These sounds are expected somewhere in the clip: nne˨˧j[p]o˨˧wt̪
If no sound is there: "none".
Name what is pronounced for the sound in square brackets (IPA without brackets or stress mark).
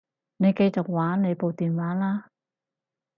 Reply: p